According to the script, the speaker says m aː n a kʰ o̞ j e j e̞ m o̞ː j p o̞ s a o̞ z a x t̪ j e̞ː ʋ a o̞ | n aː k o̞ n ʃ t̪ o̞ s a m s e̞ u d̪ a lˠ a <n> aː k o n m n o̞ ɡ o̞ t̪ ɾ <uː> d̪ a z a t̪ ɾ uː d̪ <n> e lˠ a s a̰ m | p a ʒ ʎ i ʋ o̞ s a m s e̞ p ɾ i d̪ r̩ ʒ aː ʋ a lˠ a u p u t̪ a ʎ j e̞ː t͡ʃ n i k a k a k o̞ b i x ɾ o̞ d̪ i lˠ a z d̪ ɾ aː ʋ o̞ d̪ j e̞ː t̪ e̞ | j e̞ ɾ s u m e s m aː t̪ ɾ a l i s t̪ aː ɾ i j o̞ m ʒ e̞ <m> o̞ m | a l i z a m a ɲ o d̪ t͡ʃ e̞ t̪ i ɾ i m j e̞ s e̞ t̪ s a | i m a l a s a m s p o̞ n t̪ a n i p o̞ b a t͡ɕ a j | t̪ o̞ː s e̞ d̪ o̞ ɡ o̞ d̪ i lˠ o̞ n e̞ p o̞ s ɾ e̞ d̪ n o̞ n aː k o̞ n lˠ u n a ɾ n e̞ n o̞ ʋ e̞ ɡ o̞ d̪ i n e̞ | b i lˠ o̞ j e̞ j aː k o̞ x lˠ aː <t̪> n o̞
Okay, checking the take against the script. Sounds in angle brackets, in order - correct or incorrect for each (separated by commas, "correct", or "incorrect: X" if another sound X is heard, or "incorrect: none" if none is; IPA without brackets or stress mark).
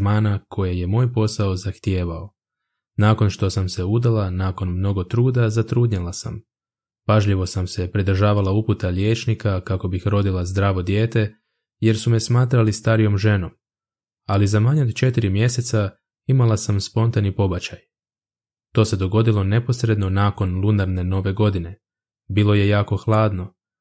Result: correct, correct, incorrect: ɲ, incorrect: n, incorrect: d̪